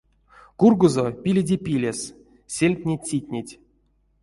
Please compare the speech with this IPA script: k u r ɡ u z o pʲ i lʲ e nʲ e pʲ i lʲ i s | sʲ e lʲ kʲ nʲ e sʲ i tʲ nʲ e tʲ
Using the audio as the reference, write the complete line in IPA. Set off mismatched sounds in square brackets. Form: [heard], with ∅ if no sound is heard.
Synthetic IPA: k u r ɡ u z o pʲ i lʲ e [dʲ] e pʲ i lʲ [e] s | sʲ e lʲ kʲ nʲ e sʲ i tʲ nʲ e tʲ